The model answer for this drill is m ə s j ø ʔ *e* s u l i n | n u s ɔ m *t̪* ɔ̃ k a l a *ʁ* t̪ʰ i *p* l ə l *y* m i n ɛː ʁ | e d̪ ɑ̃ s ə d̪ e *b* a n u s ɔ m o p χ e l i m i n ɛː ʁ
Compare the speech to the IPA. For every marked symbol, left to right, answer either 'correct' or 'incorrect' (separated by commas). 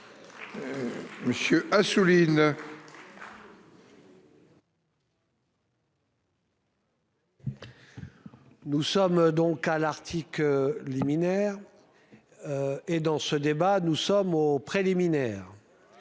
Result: incorrect, incorrect, correct, incorrect, incorrect, correct